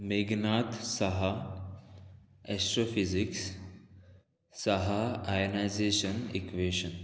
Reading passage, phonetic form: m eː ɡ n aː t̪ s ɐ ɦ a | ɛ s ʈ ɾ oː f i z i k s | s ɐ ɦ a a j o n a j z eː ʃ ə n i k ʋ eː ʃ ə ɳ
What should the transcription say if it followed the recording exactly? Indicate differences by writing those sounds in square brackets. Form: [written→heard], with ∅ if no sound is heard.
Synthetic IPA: m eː ɡ n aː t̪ s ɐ ɦ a | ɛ s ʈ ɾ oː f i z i k s | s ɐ ɦ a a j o n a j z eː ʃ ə n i k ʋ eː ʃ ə [ɳ→n]